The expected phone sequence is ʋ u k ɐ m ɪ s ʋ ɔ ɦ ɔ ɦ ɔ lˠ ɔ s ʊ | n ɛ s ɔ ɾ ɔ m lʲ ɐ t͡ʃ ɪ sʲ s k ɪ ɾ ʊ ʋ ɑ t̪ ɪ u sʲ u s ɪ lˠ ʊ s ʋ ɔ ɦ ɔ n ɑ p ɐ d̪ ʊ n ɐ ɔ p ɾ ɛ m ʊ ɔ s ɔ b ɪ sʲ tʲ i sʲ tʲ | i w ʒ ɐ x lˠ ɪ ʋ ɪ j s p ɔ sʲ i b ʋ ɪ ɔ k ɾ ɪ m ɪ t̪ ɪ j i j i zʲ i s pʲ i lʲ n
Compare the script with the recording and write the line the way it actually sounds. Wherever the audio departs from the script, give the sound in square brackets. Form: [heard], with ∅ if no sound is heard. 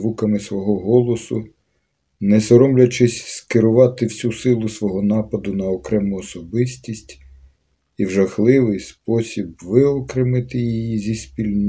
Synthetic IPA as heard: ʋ u k ɐ m ɪ s ʋ ɔ ɦ ɔ ɦ ɔ lˠ ɔ s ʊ | n ɛ s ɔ ɾ ɔ m lʲ ɐ t͡ʃ ɪ sʲ s k ɪ ɾ ʊ ʋ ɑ t̪ ɪ [w] sʲ u s ɪ lˠ ʊ s ʋ ɔ ɦ ɔ n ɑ p ɐ d̪ ʊ n ɐ ɔ [k] ɾ ɛ m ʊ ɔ s ɔ b ɪ sʲ tʲ i sʲ tʲ | i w ʒ ɐ x lˠ ɪ ʋ ɪ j s p ɔ sʲ i b ʋ ɪ ɔ k ɾ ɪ m ɪ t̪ ɪ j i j i zʲ i s pʲ i lʲ n